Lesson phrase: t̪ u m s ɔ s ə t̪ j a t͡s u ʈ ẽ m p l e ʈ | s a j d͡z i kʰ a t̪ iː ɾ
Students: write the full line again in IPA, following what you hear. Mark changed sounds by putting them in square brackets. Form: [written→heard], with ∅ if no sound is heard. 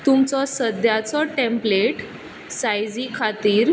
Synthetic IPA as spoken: t̪ u m [s→t͡s] ɔ s ə [t̪→d̪] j a t͡s [u→ɔ] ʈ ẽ m p l e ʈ | s a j d͡z i kʰ a t̪ iː ɾ